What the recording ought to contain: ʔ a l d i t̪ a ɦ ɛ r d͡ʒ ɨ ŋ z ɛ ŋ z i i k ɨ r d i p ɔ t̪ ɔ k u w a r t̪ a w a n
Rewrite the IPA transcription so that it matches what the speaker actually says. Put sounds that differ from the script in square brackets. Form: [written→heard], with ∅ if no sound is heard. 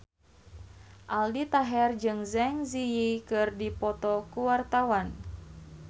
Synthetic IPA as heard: ʔ a l d i t̪ a ɦ ɛ r d͡ʒ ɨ ŋ z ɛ ŋ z i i k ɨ r d i p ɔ t̪ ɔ k u w a r t̪ a w a n